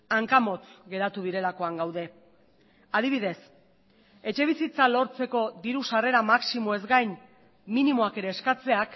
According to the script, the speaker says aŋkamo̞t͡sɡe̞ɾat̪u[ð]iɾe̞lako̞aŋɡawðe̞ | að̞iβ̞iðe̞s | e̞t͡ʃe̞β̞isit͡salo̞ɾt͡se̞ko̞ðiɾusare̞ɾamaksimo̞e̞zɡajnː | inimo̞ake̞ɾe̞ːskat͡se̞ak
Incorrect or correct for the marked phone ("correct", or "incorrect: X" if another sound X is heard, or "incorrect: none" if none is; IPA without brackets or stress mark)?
correct